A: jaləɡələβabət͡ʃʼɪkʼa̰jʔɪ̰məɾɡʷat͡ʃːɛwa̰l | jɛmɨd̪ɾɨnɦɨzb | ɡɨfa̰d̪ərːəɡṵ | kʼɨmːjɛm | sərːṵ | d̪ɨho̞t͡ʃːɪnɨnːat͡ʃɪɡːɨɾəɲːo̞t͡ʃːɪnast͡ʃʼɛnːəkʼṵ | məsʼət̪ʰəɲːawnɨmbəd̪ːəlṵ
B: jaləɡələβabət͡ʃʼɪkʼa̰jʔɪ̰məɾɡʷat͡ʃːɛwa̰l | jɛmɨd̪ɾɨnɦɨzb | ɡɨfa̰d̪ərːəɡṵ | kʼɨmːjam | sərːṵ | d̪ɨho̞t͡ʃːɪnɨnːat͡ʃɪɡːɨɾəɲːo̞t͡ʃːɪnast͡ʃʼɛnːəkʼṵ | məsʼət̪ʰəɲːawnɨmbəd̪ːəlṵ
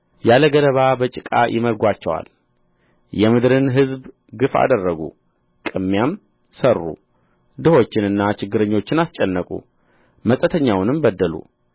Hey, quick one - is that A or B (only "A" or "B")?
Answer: B